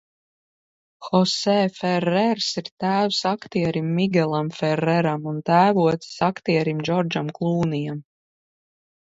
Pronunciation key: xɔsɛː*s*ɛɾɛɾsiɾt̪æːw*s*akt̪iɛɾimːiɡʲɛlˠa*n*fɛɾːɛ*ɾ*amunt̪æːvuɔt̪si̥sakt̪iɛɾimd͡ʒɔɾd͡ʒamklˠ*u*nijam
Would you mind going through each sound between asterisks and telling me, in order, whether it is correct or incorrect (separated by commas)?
incorrect, correct, incorrect, correct, incorrect